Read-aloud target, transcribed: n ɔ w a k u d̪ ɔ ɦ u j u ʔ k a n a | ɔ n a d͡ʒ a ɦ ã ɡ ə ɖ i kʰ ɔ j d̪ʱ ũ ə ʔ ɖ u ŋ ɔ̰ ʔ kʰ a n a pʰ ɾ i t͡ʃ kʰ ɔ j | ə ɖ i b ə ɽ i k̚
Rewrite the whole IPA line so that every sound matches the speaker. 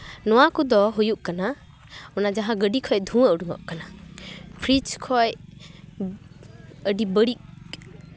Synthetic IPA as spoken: n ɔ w a k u d̪ ɔ ɦ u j u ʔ k a n a | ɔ n a d͡ʒ a ɦ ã ɡ ə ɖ i kʰ ɔ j d̪ʱ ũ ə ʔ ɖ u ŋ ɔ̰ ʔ k a n a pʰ ɾ i t͡ʃ kʰ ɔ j | ə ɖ i b ə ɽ i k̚